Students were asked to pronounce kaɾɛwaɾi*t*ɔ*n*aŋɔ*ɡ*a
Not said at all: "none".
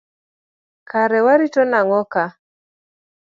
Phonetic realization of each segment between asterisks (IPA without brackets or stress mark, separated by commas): t, n, k